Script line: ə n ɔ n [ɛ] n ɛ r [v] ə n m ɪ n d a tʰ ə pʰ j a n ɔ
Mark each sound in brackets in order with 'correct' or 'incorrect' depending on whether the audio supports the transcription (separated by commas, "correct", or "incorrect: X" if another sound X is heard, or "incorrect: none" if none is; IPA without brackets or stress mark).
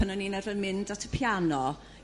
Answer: incorrect: i, correct